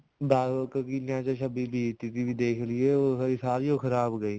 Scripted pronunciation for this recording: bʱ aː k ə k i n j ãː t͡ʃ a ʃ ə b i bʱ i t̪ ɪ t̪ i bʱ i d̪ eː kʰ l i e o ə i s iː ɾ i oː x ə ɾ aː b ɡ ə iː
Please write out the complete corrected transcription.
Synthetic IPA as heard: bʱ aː k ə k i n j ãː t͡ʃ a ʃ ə b i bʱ i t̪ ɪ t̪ i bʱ i d̪ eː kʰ l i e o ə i s aː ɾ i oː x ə ɾ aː b ɡ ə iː